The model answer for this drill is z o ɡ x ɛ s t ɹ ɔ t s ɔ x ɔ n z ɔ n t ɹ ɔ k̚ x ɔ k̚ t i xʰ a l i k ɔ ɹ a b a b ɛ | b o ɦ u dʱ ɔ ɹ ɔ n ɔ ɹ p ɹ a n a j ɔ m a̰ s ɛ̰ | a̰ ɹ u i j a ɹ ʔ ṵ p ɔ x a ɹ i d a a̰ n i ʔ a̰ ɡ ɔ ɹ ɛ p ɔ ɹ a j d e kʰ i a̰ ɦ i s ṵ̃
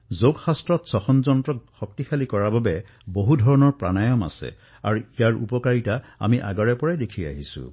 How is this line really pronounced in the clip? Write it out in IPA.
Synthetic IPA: z o ɡ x a s t ɹ ɔ t s ɔ x ɔ n z ɔ n t ɹ ɔ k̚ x ɔ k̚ t i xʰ a l i k ɔ ɹ a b a b ɛ | b o ɦ u dʱ ɔ ɹ ɔ n ɔ ɹ p ɹ a n a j ɔ m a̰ s ɛ̰ | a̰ ɹ u i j a ɹ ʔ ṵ p ɔ k a ɹ i t a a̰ m i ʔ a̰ ɡ ɔ ɹ ɛ p ɔ ɹ a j d e kʰ i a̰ ɦ i s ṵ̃